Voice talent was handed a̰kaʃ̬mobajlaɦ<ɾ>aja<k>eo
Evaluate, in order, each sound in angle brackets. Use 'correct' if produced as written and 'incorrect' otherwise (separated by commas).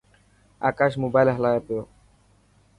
incorrect, incorrect